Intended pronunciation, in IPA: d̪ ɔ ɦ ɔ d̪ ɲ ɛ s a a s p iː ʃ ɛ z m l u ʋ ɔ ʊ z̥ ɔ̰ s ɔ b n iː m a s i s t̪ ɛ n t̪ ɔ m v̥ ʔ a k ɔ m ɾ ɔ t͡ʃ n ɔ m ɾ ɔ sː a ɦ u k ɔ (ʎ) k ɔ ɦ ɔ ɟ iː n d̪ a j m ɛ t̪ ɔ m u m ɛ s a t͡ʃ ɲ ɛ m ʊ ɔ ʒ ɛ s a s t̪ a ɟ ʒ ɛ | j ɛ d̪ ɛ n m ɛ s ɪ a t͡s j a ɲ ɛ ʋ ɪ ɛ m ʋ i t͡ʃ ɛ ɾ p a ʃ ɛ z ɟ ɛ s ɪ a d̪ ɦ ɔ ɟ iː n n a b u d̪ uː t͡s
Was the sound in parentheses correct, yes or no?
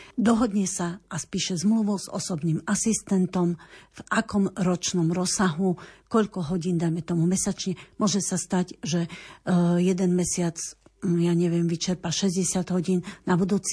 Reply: yes